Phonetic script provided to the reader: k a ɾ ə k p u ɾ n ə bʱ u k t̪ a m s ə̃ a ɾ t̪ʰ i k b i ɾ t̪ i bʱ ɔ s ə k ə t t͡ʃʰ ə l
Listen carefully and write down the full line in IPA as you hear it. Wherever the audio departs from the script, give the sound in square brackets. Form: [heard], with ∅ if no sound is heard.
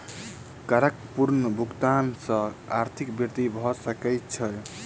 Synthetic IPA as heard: k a ɾ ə k p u ɾ n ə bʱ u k t̪ a [n] s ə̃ a ɾ t̪ʰ i k b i ɾ t̪ i bʱ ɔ s ə k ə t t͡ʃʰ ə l